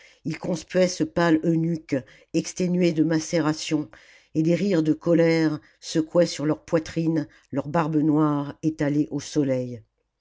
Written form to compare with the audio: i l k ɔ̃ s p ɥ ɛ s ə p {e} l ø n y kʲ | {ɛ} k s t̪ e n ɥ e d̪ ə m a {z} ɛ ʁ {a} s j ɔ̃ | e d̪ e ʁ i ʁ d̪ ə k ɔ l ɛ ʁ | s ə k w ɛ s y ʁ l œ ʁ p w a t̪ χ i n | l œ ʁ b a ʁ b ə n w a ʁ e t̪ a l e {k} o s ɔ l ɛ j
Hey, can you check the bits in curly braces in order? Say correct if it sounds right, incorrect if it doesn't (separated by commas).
incorrect, correct, incorrect, correct, incorrect